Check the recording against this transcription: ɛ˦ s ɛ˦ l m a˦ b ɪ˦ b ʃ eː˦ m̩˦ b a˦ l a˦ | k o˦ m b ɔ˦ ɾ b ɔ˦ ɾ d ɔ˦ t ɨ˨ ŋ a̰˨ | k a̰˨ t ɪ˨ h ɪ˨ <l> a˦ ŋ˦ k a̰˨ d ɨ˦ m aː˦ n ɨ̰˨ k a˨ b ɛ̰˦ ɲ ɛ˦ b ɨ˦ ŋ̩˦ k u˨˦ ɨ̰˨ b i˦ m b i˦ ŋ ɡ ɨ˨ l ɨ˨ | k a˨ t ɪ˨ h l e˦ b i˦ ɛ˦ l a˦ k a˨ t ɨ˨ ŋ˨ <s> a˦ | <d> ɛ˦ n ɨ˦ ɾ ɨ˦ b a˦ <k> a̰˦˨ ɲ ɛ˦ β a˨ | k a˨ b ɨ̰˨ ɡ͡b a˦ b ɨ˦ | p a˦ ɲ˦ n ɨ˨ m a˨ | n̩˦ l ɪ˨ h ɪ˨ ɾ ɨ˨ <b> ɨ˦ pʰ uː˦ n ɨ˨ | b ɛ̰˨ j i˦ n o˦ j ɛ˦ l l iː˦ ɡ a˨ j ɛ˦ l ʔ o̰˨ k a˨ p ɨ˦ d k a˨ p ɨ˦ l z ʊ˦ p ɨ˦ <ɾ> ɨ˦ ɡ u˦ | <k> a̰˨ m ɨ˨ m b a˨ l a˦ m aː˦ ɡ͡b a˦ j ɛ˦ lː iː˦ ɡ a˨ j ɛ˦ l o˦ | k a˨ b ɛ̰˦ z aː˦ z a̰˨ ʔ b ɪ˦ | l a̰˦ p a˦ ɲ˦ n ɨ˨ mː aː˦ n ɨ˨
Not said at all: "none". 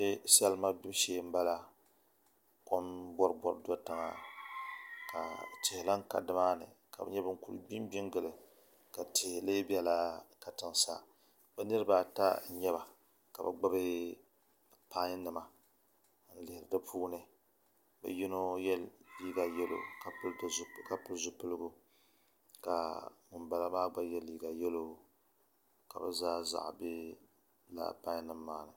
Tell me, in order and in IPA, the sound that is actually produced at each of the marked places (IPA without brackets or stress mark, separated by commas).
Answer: l, s, b, t, d, l, k